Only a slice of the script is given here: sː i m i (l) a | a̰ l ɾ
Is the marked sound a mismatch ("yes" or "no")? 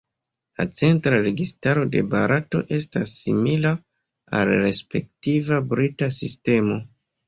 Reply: no